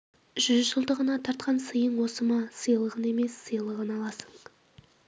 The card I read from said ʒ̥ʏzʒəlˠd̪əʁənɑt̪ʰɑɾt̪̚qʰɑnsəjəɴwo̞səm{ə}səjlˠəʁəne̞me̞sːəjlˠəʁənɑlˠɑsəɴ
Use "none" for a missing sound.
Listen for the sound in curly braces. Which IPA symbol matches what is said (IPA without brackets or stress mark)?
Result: ɑ